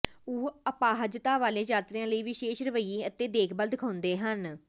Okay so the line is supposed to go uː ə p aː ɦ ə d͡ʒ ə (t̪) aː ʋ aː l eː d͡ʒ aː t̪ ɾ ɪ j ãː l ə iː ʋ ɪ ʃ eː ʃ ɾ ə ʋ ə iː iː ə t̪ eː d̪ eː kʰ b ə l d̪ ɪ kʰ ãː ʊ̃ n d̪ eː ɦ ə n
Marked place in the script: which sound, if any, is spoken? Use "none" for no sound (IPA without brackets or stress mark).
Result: t̪